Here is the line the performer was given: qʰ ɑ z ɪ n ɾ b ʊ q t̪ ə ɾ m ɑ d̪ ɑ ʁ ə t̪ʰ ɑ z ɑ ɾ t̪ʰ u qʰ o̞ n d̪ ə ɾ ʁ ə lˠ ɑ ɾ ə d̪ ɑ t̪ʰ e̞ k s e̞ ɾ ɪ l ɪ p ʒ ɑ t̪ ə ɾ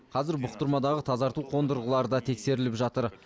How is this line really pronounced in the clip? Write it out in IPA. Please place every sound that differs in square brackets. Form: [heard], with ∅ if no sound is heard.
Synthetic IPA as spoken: qʰ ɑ z ɪ [∅] ɾ b ʊ q t̪ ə ɾ m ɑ d̪ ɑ ʁ ə t̪ʰ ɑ z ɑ ɾ [t̪] u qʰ o̞ n d̪ ə ɾ ʁ ə lˠ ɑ ɾ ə d̪ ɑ t̪ʰ e̞ k s e̞ ɾ ɪ l ɪ p ʒ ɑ t̪ ə ɾ